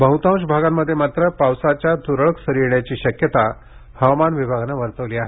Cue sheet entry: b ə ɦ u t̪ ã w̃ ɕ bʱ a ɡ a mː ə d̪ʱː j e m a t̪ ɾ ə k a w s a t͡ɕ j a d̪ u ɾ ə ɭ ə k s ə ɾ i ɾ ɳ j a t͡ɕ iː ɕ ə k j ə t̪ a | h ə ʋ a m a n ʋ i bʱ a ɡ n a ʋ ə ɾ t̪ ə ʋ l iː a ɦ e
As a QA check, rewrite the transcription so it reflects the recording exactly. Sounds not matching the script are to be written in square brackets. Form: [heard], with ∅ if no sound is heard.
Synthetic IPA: b ə ɦ u t̪ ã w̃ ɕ bʱ a ɡ a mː ə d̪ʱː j e m a t̪ ɾ ə [p] a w s a t͡ɕ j a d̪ u ɾ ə ɭ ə k s ə ɾ i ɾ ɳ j a t͡ɕ iː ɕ ə k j ə t̪ a | h ə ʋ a m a n ʋ i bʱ a ɡ n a ʋ ə ɾ t̪ ə ʋ l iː a ɦ e